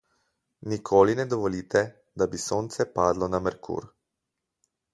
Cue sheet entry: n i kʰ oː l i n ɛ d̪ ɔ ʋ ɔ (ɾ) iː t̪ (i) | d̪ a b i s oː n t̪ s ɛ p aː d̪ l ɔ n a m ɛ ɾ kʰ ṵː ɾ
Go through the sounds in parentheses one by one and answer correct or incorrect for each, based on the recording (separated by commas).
incorrect, incorrect